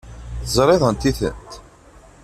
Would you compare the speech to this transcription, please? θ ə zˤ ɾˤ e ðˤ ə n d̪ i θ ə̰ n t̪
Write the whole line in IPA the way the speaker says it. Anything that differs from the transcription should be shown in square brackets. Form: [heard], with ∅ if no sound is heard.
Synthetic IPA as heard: θ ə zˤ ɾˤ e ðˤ ə n [t̪] i θ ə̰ n t̪